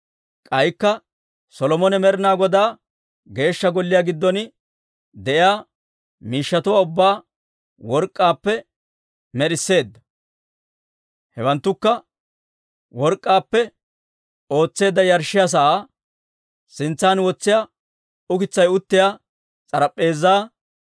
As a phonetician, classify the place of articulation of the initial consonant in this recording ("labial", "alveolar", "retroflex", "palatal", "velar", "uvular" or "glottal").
velar